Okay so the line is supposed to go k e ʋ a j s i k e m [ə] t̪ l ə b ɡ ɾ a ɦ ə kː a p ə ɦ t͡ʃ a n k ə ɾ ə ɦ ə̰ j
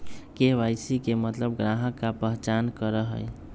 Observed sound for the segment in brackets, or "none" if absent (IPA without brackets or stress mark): ə